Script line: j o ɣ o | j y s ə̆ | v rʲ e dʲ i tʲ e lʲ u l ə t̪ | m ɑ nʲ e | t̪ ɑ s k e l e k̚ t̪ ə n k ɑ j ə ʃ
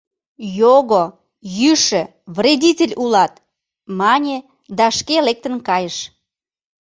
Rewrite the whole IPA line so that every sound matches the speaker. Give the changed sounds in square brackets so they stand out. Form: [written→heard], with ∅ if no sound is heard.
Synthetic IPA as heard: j o ɣ o | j y [s→ʃ] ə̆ | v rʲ e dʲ i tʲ e lʲ u l [ə→ɑ] t̪ | m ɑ nʲ e | [t̪→d̪] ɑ [s→ʃ] k e l e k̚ t̪ ə n k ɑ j ə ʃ